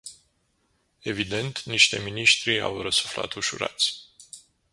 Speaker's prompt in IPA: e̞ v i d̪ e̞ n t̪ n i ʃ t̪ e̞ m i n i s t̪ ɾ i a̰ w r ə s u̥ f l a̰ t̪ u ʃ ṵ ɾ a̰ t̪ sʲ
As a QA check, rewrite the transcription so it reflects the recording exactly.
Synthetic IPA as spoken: e̞ v i d̪ e̞ n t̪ n i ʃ t̪ e̞ m i n i ʃ t̪ ɾ i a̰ w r ə s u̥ f l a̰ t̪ u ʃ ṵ ɾ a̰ t̪ sʲ